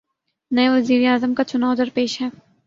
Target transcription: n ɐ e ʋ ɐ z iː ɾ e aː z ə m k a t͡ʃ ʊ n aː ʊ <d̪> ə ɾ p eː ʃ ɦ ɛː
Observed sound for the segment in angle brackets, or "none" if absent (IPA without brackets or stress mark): d̪